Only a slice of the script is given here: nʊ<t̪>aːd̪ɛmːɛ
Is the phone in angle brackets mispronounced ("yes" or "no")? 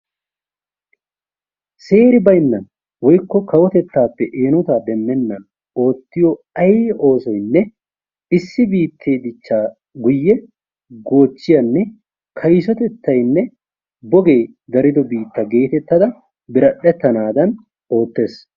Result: no